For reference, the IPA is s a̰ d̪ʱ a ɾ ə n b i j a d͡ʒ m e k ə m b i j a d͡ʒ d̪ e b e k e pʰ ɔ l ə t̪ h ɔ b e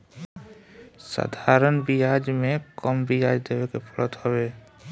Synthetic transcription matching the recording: s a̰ d̪ʱ a ɾ ə n b i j a d͡ʒ m e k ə m b i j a d͡ʒ d̪ e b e k e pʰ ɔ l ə t̪ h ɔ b e